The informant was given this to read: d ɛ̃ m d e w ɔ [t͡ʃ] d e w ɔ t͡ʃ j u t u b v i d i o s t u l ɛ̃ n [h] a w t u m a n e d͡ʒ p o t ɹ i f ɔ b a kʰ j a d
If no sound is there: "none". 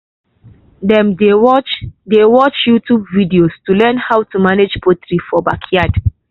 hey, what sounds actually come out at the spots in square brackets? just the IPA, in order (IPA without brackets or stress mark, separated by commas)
t͡ʃ, h